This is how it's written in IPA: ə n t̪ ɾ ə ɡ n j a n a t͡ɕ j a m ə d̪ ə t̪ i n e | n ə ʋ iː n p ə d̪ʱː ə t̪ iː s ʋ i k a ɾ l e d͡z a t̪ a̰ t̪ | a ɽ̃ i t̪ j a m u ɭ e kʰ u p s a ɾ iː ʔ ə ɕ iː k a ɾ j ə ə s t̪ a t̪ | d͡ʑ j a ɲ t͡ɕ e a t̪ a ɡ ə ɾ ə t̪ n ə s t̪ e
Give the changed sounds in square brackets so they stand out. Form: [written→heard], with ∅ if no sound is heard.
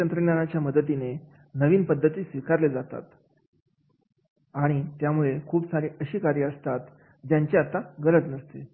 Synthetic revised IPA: ə n t̪ ɾ ə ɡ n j a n a t͡ɕ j a m ə d̪ ə t̪ i n e | n ə ʋ iː n p ə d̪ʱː ə t̪ iː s ʋ i k a ɾ l e d͡z a t̪ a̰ t̪ | a ɽ̃ i t̪ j a m u ɭ e kʰ [u→uː] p s a ɾ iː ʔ ə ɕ iː k a ɾ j ə ə s t̪ a t̪ | d͡ʑ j a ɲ t͡ɕ e a t̪ a ɡ ə ɾ ə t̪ n ə s t̪ e